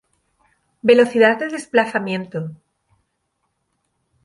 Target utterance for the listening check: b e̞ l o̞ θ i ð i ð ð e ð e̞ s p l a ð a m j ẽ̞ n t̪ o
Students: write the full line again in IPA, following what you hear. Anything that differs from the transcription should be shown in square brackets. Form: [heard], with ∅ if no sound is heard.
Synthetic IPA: b e̞ l o̞ θ i ð [a] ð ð e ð e̞ s p l a [θ] a m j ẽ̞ n t̪ o